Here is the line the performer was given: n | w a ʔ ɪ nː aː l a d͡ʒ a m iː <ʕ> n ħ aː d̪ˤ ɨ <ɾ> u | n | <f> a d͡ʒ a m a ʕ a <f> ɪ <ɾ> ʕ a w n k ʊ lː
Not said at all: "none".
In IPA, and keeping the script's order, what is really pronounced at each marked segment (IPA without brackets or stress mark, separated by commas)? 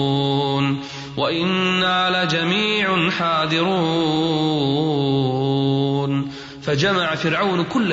ʕ, ɾ, f, f, ɾ